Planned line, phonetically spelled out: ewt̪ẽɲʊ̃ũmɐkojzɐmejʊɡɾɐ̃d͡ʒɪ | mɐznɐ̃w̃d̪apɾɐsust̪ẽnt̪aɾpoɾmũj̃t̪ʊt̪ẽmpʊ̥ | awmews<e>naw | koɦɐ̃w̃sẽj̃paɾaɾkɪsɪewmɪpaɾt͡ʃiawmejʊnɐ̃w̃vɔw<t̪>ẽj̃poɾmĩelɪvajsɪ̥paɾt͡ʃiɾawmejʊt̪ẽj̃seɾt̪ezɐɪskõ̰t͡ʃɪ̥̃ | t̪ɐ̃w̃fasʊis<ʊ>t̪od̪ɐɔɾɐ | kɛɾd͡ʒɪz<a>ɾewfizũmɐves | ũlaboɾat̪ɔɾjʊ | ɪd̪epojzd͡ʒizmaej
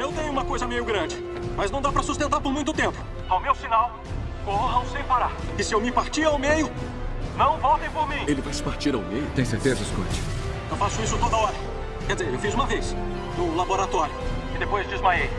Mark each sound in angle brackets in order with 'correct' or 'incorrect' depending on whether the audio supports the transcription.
incorrect: i, correct, correct, incorrect: e

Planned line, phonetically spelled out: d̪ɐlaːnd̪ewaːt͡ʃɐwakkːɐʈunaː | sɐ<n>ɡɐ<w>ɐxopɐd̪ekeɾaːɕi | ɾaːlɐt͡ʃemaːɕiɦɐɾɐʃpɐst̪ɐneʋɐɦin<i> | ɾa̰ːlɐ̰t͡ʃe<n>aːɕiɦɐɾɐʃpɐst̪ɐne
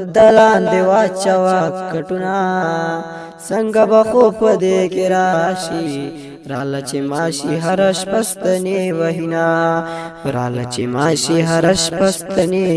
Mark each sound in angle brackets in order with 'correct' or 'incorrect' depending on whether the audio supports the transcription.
incorrect: ŋ, incorrect: b, incorrect: a, incorrect: m

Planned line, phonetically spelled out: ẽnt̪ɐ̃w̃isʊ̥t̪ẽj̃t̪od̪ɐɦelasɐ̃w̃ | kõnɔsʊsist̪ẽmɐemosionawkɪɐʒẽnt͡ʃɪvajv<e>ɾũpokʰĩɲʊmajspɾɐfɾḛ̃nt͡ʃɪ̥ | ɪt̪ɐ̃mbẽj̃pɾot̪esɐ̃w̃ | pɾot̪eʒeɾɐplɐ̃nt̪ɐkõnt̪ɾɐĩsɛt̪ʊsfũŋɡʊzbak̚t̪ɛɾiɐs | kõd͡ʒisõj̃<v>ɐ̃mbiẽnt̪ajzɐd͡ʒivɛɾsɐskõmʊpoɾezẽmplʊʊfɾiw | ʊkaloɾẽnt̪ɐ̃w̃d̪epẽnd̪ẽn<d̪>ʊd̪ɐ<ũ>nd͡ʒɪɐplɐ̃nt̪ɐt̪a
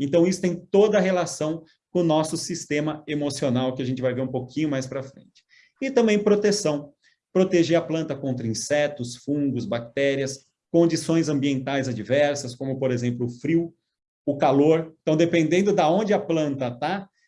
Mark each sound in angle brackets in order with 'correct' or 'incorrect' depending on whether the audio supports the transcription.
correct, incorrect: z, correct, incorrect: õ

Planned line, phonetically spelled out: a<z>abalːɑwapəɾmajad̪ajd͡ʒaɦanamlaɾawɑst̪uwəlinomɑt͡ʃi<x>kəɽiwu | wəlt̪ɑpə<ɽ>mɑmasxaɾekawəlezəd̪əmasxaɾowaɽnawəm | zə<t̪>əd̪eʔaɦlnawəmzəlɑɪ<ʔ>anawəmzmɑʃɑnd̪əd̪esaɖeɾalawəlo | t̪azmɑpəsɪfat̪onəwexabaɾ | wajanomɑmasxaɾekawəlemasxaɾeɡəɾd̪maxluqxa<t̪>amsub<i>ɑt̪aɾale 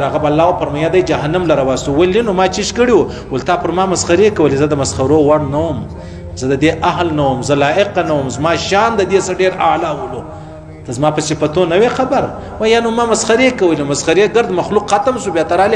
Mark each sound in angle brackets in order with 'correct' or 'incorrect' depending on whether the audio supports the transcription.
incorrect: ɣ, incorrect: ʃ, incorrect: ɾ, incorrect: d̪, incorrect: q, correct, incorrect: j

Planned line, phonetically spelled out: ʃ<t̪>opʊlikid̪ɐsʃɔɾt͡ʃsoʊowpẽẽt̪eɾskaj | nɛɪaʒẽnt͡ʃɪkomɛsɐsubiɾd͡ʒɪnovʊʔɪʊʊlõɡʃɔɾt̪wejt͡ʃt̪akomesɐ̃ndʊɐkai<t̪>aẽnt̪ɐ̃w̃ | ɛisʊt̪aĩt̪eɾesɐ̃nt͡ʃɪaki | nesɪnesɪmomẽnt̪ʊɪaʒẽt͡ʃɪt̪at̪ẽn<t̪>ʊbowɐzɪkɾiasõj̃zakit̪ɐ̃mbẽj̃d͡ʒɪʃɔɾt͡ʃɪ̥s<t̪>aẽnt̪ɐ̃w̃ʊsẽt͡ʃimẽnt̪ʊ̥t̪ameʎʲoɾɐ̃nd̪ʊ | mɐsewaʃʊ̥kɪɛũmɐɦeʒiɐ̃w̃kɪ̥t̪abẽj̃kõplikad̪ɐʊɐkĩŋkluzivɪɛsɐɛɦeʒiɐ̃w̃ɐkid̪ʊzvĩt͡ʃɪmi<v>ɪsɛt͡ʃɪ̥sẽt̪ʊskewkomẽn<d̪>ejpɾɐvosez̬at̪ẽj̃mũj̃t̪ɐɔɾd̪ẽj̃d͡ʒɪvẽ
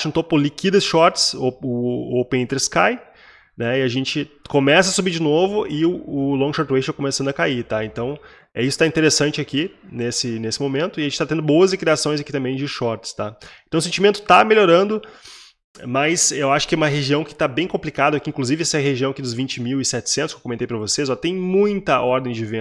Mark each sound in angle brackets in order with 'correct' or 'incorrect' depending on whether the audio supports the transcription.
correct, correct, incorrect: d̪, correct, incorrect: w, incorrect: t̪

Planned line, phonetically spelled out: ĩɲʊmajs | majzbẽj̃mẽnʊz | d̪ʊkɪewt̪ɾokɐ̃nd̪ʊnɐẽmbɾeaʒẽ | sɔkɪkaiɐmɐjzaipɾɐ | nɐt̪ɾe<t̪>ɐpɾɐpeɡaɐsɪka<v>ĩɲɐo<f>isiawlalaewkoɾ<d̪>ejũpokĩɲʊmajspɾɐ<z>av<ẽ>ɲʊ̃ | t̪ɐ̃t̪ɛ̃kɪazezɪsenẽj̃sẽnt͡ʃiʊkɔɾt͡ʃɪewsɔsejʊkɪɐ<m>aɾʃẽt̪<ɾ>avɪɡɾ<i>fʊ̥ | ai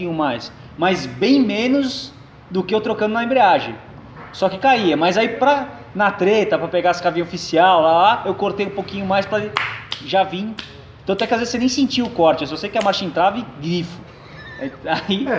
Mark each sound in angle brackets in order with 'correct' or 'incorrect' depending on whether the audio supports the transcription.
correct, correct, correct, incorrect: t̪, incorrect: ʒ, incorrect: ĩ, correct, correct, correct

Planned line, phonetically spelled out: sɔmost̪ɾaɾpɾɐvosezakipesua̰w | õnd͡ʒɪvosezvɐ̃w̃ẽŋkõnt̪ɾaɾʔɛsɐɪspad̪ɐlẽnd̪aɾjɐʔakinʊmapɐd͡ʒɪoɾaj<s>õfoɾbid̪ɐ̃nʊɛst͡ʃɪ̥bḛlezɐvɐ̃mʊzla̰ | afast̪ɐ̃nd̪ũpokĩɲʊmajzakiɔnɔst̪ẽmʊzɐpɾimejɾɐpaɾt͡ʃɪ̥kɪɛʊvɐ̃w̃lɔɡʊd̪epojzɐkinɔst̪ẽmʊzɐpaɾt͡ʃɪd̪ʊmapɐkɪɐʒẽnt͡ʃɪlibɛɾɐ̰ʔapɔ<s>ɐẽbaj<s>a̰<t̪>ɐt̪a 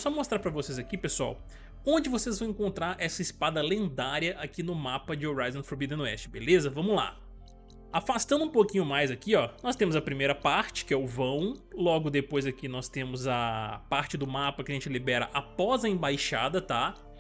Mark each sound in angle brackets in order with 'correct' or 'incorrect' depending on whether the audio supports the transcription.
incorrect: z, incorrect: z, incorrect: ʃ, incorrect: d̪

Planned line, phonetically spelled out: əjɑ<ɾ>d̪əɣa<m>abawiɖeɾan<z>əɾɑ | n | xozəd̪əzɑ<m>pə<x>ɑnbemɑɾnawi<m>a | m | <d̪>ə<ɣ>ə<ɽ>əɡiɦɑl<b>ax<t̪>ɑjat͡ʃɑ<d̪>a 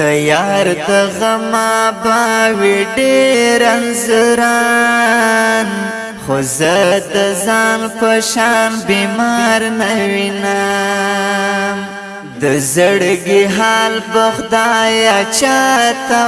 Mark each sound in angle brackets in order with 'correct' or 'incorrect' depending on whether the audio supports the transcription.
correct, correct, correct, incorrect: n, incorrect: ʃ, incorrect: n, correct, incorrect: z, correct, correct, incorrect: d̪, incorrect: t̪

